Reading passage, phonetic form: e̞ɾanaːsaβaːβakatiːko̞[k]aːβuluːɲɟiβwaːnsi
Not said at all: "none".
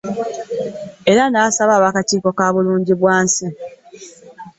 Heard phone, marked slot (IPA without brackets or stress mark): k